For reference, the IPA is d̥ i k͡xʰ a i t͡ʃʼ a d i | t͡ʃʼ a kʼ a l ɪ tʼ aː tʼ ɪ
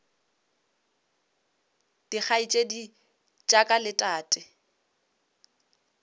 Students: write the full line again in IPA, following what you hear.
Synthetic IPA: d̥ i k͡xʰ a i t͡ʃʼ e d i | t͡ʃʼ a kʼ a l ɪ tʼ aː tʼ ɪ